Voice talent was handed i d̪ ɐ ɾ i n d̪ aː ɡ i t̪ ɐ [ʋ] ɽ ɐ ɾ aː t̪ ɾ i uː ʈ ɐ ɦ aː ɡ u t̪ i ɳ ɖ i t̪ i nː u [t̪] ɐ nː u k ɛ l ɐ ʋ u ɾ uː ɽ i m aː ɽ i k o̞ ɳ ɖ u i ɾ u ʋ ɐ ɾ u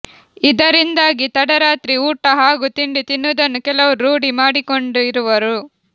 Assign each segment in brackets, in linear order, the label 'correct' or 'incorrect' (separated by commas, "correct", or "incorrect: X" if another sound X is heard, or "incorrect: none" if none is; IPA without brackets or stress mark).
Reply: incorrect: none, incorrect: d̪